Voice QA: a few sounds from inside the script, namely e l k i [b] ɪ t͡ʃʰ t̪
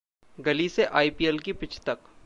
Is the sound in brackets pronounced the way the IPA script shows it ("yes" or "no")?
no